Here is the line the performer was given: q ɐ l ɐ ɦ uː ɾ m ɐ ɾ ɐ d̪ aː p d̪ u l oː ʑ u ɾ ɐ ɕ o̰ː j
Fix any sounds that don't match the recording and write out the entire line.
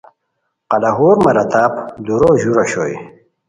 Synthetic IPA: q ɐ l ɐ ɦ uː ɾ m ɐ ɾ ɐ t̪ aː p d̪ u ɾ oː ʑ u ɾ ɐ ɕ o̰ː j